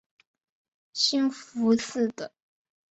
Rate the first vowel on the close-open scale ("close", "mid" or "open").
close